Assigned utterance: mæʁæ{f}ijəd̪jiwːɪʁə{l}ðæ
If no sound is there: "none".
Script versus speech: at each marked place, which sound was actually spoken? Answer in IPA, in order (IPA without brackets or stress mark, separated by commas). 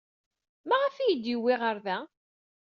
f, ɾ